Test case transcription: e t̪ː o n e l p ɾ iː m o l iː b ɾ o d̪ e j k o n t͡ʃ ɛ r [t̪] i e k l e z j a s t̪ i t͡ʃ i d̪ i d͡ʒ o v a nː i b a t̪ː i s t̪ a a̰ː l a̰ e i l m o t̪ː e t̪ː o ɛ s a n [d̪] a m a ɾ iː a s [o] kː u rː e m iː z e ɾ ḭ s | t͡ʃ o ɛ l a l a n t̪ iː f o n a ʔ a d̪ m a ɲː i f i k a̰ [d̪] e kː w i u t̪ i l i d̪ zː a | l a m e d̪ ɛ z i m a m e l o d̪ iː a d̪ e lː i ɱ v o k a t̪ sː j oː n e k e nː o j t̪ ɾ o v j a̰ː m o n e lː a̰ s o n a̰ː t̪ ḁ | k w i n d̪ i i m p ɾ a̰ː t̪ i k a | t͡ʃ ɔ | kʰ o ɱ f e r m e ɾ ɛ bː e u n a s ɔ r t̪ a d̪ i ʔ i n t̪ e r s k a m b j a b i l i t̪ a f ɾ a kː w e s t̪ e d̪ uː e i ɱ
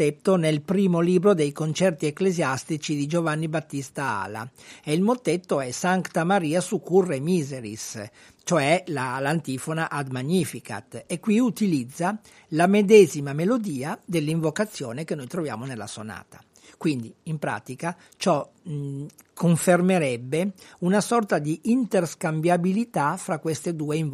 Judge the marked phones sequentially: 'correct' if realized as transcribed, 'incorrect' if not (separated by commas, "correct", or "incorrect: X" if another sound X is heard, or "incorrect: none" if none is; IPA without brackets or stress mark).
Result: correct, incorrect: t̪, incorrect: u, incorrect: t̪